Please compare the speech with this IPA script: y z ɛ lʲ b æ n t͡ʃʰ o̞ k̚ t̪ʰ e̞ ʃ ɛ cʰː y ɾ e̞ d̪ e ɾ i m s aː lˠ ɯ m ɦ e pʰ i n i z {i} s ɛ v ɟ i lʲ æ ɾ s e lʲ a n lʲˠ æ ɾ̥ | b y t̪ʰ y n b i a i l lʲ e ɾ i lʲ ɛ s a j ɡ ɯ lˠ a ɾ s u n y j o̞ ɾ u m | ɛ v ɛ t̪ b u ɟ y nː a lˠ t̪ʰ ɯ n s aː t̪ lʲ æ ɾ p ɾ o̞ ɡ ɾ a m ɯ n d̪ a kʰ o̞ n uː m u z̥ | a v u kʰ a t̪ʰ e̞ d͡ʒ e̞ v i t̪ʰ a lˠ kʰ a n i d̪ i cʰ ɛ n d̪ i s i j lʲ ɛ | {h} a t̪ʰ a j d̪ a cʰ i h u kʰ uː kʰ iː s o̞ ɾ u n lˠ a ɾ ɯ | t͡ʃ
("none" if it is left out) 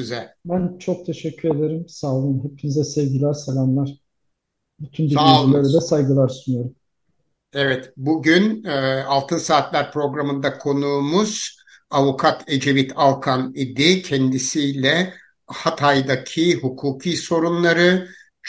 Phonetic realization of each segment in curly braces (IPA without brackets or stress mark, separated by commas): ɛ, h